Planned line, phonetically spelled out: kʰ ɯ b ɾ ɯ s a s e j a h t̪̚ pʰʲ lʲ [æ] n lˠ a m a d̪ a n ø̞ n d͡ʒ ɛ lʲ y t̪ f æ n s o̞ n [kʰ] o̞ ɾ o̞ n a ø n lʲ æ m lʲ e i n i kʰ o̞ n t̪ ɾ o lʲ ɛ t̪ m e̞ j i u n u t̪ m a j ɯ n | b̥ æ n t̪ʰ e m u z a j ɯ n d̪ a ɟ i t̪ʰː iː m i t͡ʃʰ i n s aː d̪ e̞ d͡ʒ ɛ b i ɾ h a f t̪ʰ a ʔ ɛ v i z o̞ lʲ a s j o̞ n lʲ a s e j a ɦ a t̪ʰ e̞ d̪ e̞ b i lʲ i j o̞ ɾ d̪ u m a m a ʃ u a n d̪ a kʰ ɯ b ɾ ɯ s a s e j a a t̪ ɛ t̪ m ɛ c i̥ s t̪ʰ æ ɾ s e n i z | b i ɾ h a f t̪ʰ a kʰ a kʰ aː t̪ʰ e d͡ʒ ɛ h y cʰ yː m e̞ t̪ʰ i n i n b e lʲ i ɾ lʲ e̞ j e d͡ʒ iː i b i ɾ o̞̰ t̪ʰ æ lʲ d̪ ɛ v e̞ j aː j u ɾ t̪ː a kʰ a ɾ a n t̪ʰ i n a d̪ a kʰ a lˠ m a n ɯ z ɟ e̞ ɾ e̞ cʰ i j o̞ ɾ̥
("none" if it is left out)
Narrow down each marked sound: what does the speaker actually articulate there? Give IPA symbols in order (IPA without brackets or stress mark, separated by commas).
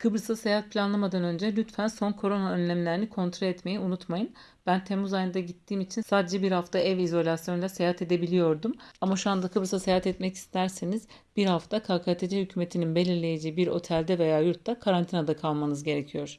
a, kʰ